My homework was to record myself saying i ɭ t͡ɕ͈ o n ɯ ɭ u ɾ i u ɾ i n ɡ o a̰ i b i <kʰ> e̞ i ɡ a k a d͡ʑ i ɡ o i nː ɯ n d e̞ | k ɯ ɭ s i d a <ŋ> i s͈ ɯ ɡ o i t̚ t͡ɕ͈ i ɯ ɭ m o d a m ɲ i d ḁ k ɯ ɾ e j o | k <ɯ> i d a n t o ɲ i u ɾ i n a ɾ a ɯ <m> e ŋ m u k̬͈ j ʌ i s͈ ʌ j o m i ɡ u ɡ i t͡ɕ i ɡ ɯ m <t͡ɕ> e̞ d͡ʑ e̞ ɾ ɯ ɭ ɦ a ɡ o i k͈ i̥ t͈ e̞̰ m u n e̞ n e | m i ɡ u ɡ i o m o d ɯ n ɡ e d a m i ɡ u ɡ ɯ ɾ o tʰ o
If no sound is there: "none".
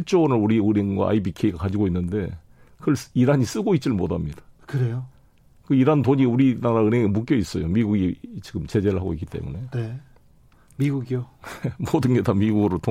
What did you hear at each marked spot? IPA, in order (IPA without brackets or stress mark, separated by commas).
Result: kʰ, ɲ, ɯ, n, t͡ɕ